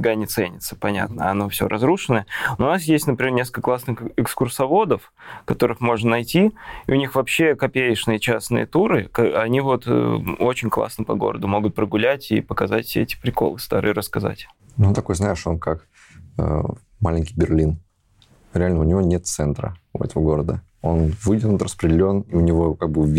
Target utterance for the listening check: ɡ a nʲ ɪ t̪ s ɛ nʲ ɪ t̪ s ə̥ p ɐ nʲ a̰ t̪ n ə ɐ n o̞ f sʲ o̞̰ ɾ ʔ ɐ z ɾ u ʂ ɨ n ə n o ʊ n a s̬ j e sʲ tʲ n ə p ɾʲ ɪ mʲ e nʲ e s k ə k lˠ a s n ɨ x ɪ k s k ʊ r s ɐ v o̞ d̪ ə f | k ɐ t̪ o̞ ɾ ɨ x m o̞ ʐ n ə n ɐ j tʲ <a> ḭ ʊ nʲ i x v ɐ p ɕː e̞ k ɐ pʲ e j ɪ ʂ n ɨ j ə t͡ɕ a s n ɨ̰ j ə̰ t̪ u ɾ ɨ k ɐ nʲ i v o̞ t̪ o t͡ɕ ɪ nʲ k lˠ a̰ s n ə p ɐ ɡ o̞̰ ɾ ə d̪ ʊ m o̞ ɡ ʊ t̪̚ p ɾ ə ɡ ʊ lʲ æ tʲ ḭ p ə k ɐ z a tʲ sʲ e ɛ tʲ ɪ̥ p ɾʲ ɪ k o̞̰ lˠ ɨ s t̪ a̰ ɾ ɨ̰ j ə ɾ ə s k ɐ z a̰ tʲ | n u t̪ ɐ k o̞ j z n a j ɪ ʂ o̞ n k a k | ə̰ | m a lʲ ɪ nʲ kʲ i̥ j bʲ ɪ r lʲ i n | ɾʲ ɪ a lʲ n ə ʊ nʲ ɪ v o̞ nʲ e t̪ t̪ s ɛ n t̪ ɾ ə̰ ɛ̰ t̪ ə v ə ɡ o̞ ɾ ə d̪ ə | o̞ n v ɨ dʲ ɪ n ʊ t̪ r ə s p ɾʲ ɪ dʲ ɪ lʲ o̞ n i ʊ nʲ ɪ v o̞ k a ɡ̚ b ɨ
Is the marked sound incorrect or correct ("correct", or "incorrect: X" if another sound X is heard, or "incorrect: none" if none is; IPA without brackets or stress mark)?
incorrect: i